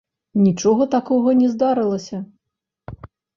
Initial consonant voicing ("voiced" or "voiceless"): voiced